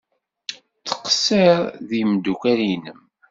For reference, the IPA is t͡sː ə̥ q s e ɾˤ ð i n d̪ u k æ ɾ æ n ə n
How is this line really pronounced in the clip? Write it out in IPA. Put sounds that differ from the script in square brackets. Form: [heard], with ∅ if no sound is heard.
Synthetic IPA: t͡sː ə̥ q s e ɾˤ ð i [m] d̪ u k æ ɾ [i] n ə [m]